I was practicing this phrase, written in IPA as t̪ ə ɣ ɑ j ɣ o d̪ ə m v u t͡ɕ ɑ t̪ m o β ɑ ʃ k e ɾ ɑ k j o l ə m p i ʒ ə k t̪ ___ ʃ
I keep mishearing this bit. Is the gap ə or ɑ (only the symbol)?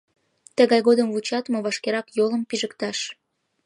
ɑ